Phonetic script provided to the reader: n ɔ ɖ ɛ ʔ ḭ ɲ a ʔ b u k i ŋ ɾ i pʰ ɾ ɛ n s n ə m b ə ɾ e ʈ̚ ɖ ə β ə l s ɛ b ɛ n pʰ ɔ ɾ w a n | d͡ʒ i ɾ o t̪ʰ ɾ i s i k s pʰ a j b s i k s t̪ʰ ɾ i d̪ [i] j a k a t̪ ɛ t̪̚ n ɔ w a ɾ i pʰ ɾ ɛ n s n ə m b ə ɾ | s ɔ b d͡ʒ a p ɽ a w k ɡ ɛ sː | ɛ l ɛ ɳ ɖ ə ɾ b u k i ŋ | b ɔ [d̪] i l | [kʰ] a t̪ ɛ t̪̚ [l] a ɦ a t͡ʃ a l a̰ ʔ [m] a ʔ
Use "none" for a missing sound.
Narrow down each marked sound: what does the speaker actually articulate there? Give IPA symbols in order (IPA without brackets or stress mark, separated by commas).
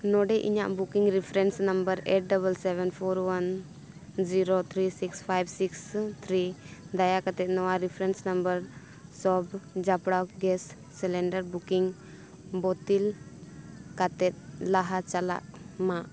a, t̪, k, l, m